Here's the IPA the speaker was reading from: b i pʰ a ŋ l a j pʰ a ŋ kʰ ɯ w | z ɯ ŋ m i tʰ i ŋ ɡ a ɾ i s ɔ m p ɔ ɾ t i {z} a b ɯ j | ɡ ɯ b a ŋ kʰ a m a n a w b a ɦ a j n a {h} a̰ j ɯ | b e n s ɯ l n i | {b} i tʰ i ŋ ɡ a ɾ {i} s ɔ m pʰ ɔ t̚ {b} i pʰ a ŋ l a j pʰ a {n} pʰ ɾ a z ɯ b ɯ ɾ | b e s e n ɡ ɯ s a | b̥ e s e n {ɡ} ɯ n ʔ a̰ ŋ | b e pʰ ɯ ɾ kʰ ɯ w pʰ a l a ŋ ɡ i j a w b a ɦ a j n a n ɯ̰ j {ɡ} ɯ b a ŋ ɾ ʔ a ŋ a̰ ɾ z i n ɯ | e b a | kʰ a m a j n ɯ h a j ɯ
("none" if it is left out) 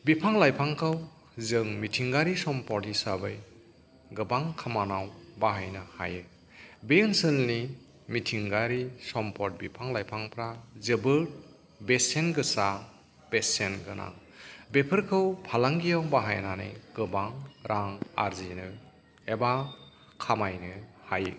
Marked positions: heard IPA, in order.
s, h, m, i, b, ŋ, ɡ, ɡ

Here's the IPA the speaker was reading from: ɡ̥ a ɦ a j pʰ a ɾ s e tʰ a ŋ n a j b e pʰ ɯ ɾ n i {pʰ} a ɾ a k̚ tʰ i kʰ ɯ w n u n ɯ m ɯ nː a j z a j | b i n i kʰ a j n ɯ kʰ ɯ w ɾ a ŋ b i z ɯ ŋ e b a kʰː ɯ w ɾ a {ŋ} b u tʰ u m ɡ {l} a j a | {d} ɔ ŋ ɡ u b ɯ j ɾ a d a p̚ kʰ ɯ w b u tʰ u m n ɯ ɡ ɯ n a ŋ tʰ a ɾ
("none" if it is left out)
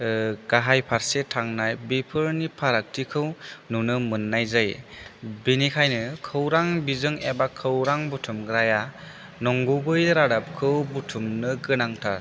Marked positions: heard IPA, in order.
pʰ, ŋ, ɾ, n

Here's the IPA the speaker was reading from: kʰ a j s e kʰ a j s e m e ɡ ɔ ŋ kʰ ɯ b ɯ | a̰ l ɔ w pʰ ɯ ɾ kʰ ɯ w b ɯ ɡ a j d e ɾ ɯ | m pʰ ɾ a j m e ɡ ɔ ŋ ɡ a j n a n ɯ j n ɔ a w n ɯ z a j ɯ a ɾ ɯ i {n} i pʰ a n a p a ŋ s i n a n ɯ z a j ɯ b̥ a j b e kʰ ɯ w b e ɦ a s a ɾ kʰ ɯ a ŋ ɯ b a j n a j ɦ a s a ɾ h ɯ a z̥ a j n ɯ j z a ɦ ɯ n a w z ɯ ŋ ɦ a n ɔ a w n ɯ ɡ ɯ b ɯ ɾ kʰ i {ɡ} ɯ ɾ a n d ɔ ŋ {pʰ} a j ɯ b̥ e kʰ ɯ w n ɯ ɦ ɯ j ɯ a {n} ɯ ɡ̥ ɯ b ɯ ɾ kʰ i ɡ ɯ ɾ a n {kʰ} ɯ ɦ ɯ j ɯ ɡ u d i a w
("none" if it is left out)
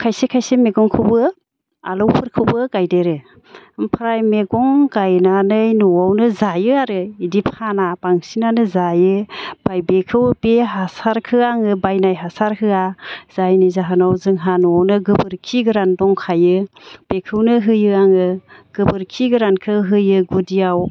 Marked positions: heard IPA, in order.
d, ɡ, kʰ, ŋ, kʰ

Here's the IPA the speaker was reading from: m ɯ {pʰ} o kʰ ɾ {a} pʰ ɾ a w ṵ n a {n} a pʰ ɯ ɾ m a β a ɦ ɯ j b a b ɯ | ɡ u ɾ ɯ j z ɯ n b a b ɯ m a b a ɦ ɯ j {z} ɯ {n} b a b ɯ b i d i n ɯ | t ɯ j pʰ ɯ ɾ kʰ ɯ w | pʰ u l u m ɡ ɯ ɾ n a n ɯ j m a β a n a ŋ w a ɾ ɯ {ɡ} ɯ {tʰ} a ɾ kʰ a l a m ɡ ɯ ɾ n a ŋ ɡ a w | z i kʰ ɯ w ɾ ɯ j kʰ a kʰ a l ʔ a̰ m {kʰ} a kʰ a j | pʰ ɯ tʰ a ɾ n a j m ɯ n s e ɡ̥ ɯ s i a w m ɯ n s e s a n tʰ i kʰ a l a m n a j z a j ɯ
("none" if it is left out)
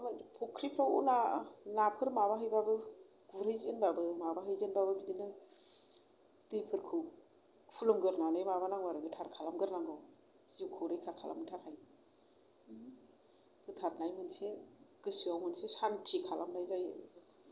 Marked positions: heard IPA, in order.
pʰ, i, n, z, n, ɡ, tʰ, tʰ

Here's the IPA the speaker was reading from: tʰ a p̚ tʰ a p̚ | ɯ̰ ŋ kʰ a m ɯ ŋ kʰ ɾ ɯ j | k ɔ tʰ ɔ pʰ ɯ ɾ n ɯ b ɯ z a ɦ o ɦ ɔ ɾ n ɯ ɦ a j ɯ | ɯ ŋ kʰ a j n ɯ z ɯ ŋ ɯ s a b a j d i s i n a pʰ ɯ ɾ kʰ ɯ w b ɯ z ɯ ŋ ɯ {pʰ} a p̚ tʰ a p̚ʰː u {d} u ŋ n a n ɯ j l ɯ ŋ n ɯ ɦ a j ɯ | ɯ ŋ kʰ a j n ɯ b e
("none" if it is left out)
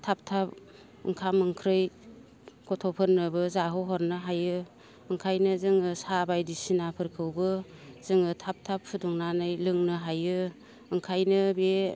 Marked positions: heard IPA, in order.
tʰ, d

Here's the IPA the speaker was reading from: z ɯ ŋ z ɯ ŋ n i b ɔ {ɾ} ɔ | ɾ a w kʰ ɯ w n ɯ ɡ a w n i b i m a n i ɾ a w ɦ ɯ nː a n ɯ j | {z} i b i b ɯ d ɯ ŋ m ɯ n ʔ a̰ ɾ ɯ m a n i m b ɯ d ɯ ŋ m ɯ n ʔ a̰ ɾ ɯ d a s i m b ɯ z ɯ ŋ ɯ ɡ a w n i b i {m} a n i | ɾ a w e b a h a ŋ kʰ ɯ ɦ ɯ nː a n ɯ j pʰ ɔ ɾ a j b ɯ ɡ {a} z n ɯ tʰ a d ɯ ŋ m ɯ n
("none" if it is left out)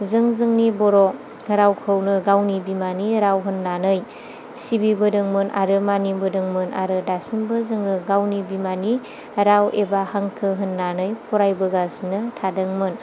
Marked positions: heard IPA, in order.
ɾ, s, m, a

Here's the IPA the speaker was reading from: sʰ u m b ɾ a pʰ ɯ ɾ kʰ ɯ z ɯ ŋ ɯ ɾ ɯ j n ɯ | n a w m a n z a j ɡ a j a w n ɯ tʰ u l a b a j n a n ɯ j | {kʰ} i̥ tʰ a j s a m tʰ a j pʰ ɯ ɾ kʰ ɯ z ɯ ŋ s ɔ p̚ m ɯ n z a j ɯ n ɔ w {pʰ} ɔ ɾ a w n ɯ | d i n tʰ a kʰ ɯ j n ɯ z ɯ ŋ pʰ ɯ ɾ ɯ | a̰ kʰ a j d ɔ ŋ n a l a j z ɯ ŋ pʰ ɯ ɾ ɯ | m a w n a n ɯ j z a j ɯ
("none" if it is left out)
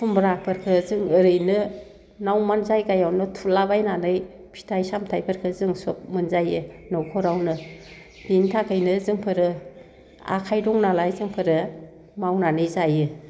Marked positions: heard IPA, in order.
pʰ, kʰ

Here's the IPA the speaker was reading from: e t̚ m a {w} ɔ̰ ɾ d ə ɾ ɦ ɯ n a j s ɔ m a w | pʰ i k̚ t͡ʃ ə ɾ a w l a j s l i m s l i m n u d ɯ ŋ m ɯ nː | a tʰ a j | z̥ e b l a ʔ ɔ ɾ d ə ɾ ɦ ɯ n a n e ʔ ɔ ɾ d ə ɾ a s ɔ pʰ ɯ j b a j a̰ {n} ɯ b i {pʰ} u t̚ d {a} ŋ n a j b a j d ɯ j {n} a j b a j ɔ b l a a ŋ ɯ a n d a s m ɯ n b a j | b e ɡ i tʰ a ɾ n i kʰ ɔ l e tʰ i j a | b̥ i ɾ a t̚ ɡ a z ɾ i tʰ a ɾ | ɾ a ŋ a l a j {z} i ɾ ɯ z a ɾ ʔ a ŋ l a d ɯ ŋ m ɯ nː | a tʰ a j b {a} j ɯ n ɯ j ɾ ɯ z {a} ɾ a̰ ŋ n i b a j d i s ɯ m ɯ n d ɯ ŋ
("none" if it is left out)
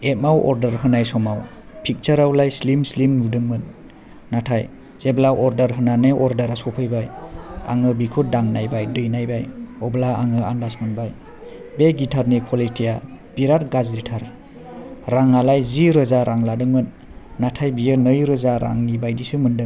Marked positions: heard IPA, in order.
w, ŋ, kʰ, a, n, z, i, a

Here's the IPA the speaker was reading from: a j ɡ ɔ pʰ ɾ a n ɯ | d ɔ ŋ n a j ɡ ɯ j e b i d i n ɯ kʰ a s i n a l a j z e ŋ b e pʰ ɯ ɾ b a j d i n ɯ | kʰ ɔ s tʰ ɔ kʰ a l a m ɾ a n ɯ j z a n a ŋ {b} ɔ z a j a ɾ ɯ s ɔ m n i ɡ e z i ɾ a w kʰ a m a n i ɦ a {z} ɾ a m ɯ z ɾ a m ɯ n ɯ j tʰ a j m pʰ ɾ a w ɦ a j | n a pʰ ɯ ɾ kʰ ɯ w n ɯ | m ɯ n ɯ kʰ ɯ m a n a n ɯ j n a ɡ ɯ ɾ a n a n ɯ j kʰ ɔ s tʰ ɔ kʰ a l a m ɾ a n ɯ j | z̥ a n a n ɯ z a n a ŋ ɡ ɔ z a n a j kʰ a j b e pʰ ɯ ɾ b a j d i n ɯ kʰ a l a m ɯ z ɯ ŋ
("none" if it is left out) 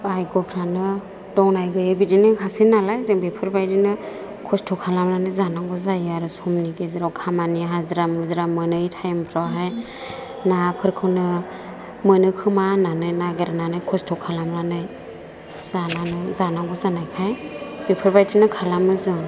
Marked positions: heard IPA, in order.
ɡ, z

